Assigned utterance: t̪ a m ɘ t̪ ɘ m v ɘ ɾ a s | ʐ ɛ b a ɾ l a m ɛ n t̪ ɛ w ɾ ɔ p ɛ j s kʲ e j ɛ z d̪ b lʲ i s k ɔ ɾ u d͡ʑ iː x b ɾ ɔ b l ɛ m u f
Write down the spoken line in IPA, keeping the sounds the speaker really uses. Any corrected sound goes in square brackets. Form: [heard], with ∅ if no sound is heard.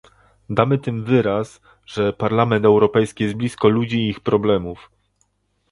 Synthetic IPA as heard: [d̪] a m ɘ t̪ ɘ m v ɘ ɾ a s | ʐ ɛ [p] a ɾ l a m ɛ n t̪ ɛ w ɾ ɔ p ɛ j s kʲ [i] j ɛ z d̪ b lʲ i s k ɔ [l] u d͡ʑ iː x [p] ɾ ɔ b l ɛ m u f